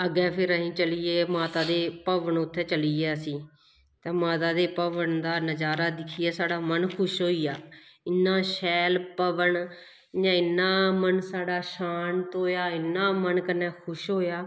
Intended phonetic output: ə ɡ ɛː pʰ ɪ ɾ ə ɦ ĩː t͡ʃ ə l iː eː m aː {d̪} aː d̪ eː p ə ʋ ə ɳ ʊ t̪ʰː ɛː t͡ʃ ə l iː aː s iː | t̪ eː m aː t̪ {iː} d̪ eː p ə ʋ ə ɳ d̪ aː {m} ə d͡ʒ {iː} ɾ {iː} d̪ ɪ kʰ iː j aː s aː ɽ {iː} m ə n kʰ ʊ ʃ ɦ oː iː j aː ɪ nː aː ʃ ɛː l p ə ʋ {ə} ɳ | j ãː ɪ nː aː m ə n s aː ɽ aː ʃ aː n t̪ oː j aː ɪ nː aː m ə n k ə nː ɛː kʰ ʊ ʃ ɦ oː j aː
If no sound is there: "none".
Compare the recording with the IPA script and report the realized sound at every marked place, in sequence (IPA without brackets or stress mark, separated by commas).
t̪, aː, n, aː, aː, aː, ə